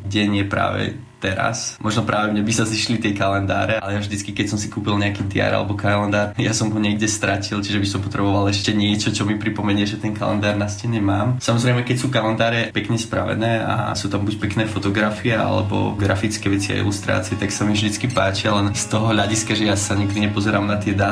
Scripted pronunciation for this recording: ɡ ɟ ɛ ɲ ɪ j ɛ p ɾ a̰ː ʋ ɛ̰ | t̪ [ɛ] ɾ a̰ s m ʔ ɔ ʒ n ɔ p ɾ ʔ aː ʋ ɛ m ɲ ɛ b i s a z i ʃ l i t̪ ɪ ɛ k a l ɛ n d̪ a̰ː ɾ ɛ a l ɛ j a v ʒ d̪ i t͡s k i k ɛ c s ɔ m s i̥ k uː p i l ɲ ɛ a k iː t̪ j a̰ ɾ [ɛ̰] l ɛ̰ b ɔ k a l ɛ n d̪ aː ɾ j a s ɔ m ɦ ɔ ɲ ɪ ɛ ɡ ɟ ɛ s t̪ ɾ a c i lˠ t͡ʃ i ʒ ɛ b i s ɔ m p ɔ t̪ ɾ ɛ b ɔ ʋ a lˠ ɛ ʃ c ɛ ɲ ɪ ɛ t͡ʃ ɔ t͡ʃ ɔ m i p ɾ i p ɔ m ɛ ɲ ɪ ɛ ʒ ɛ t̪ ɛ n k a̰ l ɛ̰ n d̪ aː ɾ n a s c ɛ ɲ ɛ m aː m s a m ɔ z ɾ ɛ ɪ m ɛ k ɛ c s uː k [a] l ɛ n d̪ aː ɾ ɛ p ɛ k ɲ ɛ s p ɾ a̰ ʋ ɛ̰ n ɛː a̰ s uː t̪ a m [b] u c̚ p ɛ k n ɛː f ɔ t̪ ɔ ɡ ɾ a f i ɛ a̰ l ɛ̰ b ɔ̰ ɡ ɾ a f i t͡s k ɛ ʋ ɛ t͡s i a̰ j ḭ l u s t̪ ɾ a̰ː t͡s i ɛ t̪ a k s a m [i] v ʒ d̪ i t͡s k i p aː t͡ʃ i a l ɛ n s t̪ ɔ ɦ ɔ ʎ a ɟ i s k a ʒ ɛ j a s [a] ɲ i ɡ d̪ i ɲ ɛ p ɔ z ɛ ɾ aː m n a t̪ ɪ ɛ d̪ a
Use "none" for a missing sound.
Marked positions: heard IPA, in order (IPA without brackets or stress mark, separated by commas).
ɛ, a̰, a, b, i, a